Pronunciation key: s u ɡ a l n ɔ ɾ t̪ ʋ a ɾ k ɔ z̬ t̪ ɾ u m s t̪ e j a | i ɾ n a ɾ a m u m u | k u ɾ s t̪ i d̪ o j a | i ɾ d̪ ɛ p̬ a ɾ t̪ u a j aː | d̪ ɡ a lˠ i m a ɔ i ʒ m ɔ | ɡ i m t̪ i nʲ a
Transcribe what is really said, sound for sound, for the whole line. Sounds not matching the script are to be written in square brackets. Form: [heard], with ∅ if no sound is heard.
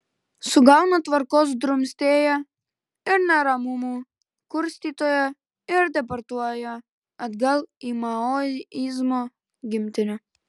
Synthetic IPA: s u ɡ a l n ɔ [∅] t̪ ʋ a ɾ k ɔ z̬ [d̪] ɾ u m s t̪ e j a | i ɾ n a ɾ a m u m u | k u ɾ s t̪ i [t̪] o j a | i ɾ d̪ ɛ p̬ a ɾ t̪ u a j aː | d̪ ɡ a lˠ i m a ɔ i [z] m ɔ | ɡ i m t̪ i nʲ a